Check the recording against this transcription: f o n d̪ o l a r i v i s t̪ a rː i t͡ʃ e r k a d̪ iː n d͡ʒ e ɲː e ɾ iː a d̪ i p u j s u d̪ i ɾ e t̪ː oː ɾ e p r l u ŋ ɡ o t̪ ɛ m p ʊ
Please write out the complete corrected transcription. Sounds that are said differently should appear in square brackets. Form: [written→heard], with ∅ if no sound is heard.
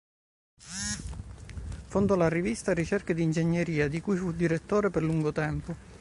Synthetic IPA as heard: f o n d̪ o l a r i v i s t̪ a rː i t͡ʃ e r k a d̪ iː n d͡ʒ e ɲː e ɾ iː a d̪ i [p→k] u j [s→f] u d̪ i ɾ e t̪ː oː ɾ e p r l u ŋ ɡ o t̪ ɛ m p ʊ